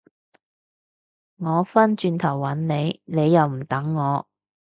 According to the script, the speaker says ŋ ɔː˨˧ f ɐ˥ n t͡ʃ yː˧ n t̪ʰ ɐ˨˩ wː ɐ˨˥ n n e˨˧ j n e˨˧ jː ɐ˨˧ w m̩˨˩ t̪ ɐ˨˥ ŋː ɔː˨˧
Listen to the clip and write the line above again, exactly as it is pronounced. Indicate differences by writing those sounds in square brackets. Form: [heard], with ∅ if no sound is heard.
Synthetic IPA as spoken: ŋ ɔː˨˧ f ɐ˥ n t͡ʃ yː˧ n t̪ʰ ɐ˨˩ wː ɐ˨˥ n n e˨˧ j n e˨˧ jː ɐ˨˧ w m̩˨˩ t̪ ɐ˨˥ ŋː ɔː˨˧